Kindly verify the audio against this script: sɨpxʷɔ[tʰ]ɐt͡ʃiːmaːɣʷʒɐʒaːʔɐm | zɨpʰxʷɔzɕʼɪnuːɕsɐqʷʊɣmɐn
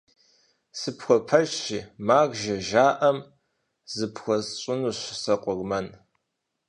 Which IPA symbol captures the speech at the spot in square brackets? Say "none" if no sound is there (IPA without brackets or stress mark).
pʰ